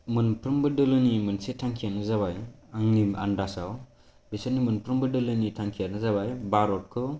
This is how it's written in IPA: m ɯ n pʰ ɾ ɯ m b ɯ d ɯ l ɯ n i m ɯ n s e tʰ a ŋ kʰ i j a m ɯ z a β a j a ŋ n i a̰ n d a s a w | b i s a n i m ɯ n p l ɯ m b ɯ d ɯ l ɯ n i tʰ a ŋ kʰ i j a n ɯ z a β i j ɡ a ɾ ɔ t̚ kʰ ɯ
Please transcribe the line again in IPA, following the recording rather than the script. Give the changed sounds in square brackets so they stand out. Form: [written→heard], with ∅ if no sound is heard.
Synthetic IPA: m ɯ n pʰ ɾ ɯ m b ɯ d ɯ l ɯ n i m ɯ n s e tʰ a ŋ kʰ i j a [m→n] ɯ z a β a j a ŋ n i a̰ n d a s a w | b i s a n i m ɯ n p [l→ɾ] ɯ m b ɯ d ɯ l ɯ n i tʰ a ŋ kʰ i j a n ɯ z a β [i→a] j [ɡ→b] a ɾ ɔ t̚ kʰ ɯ